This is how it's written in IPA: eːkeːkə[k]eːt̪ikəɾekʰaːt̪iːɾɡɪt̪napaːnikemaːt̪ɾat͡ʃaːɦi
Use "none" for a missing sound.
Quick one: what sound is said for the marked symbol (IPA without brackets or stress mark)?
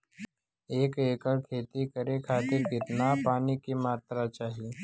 kʰ